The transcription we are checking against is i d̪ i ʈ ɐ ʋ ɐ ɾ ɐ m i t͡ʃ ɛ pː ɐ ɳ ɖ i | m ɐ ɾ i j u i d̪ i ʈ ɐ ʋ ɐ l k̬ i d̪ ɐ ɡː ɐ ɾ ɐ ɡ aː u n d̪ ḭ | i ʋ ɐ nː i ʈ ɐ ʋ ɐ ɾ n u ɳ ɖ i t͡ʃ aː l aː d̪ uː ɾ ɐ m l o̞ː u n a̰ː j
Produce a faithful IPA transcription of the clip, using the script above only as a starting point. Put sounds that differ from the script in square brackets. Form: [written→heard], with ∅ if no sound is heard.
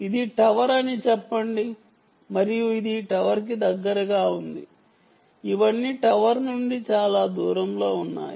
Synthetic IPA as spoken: i d̪ i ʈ ɐ ʋ ɐ ɾ ɐ [m→n] i t͡ʃ ɛ pː ɐ ɳ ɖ i | m ɐ ɾ i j u i d̪ i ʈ ɐ ʋ ɐ [l→ɾ] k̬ i d̪ ɐ ɡː ɐ ɾ ɐ ɡ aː u n d̪ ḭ | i ʋ ɐ nː i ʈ ɐ ʋ ɐ ɾ n u ɳ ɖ i t͡ʃ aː l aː d̪ uː ɾ ɐ m l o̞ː u [n→nː] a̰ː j

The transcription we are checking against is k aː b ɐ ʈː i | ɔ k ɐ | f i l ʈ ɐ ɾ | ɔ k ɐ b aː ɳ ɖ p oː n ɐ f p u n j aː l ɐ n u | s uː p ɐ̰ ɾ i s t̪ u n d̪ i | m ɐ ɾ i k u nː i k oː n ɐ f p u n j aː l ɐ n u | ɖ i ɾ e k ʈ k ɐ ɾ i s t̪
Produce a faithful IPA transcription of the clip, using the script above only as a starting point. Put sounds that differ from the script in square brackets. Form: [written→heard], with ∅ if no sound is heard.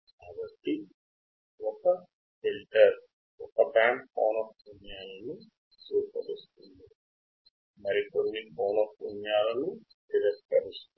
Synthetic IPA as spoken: k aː b ɐ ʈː i | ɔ k ɐ | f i l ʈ ɐ ɾ | ɔ k ɐ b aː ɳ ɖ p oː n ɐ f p u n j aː l ɐ n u | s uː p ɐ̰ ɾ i s t̪ u n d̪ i | m ɐ ɾ i k [u→o] nː i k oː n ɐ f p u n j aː l ɐ n u | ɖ i ɾ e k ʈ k ɐ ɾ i s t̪

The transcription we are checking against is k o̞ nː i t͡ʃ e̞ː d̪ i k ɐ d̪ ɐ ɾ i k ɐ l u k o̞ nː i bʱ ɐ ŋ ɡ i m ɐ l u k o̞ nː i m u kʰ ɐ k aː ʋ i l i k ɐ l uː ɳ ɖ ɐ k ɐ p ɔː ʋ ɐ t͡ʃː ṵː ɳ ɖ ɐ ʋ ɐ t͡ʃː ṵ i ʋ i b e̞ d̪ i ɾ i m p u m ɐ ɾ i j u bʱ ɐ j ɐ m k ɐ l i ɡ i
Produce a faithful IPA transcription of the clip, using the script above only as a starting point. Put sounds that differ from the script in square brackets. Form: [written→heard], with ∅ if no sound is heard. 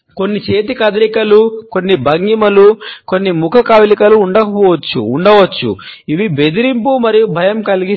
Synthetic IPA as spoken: k o̞ nː i t͡ʃ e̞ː [d̪→t̪] i k ɐ d̪ ɐ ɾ i k ɐ l u k o̞ nː i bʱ ɐ ŋ ɡ i m ɐ l u k o̞ nː i m u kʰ ɐ k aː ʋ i l i k ɐ l uː ɳ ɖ ɐ k ɐ p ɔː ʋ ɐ t͡ʃː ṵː ɳ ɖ ɐ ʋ ɐ t͡ʃː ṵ i ʋ i b e̞ d̪ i ɾ i m p u m ɐ ɾ i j u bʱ ɐ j ɐ m k ɐ l i ɡ i

